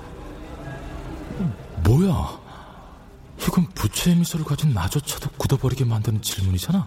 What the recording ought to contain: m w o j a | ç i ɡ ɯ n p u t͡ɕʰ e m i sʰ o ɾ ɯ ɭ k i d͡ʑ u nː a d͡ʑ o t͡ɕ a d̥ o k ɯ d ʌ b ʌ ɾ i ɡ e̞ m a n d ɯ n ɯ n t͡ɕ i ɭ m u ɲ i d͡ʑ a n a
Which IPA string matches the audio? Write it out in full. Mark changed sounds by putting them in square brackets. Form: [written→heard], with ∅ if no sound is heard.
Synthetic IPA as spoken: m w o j a | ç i ɡ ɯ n p u t͡ɕʰ e m i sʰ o ɾ ɯ ɭ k [i→a] d͡ʑ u nː a d͡ʑ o [t͡ɕ→t͡ɕʰ] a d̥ o k [ɯ→u] d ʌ b ʌ ɾ i ɡ e̞ m a n d ɯ n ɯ n t͡ɕ i ɭ m u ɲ i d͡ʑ a n a